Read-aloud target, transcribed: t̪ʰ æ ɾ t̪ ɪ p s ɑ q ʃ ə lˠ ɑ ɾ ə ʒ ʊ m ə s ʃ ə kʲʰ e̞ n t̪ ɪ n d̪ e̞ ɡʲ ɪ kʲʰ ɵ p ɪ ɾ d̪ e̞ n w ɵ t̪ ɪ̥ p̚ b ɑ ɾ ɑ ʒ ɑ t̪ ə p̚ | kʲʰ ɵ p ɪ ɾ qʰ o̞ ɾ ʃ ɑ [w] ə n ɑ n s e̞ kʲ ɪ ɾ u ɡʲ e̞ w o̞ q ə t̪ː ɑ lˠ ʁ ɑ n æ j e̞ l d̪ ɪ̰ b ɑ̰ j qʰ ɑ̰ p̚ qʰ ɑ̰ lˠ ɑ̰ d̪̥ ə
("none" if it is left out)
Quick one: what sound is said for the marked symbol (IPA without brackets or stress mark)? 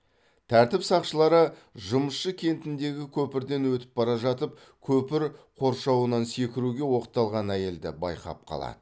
w